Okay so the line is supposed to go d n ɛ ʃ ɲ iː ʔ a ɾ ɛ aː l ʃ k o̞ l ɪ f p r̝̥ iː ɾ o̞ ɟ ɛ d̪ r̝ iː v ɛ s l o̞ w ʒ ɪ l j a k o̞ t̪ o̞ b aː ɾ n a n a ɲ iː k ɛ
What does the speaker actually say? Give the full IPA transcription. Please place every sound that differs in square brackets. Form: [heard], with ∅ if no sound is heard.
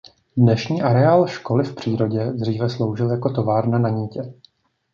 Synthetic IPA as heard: d n ɛ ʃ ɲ iː ʔ a ɾ ɛ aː l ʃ k o̞ l ɪ f p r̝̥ iː ɾ o̞ ɟ ɛ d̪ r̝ iː v ɛ s l o̞ w ʒ ɪ l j a k o̞ t̪ o̞ [v] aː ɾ n a n a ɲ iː [c] ɛ